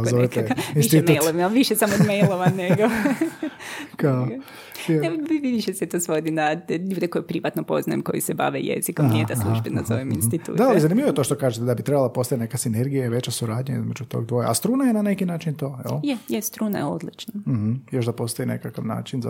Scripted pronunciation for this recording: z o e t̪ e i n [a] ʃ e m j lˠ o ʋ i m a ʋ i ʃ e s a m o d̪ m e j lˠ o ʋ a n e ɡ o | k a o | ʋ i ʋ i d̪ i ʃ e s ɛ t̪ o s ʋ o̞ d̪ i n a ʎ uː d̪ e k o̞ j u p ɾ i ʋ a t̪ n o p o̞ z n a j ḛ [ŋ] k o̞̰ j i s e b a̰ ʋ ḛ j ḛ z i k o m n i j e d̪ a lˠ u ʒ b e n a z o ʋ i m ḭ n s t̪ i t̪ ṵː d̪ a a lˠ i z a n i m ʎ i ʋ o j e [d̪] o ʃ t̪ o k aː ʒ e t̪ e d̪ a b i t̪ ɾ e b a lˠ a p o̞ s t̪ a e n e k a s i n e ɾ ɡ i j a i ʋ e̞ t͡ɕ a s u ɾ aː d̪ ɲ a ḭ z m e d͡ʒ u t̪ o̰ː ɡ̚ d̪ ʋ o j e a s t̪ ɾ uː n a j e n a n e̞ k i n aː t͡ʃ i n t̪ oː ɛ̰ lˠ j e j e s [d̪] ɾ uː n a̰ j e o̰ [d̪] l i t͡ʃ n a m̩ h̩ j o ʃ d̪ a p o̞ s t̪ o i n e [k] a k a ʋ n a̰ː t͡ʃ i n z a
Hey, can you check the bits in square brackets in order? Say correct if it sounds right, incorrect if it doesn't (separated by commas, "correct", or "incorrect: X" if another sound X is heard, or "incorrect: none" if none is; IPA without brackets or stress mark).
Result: incorrect: i, incorrect: m, incorrect: t̪, incorrect: t̪, correct, correct